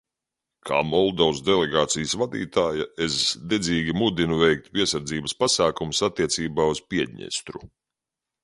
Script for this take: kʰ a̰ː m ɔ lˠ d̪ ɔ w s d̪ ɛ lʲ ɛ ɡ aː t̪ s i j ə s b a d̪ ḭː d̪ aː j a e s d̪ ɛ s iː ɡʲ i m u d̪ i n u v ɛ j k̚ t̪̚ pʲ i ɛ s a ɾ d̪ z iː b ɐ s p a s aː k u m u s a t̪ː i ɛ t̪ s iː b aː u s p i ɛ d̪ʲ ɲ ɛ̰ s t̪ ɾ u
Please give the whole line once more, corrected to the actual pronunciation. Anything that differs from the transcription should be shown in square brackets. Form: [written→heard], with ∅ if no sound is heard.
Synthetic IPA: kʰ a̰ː m ɔ lˠ d̪ ɔ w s d̪ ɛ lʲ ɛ ɡ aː t̪ s i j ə s [b→v] a d̪ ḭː [d̪→t̪] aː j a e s d̪ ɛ [s→z] iː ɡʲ i m u d̪ i n u v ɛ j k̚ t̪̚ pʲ i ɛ s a ɾ d̪ z iː b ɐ s p a s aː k u m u s a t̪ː i ɛ t̪ s iː b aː u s p i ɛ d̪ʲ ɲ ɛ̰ s t̪ ɾ u